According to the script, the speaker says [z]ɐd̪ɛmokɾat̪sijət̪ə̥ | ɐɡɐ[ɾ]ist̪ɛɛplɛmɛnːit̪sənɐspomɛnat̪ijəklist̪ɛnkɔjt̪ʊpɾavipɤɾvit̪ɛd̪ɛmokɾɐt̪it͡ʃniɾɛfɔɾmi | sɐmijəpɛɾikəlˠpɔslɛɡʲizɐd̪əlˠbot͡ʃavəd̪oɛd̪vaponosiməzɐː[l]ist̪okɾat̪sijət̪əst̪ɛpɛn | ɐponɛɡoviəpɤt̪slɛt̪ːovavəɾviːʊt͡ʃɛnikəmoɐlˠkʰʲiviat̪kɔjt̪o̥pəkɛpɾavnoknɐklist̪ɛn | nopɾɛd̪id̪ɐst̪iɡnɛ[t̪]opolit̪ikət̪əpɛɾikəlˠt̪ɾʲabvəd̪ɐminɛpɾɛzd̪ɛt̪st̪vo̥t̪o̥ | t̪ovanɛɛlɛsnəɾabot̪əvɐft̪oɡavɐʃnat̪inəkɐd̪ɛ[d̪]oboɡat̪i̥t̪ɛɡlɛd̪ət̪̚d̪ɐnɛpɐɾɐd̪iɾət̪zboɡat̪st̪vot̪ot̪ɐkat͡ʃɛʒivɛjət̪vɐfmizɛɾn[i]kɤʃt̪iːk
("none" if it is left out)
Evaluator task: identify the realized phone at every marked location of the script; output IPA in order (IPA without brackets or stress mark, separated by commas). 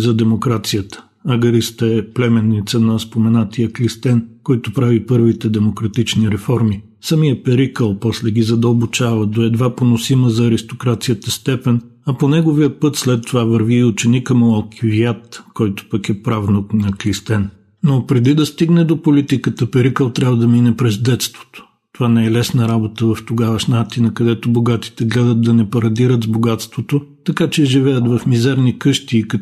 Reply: z, ɾ, ɾ, d̪, t̪, i